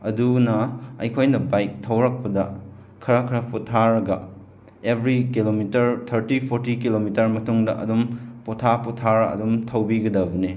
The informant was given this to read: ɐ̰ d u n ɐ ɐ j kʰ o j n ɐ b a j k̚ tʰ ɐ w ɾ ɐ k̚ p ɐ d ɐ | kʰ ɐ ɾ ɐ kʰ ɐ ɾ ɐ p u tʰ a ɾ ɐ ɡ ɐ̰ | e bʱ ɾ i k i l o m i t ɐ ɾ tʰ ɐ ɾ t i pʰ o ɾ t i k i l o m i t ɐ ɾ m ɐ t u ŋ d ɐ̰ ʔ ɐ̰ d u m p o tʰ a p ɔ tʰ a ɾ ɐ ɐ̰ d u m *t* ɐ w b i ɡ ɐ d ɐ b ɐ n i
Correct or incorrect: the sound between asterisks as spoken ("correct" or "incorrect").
incorrect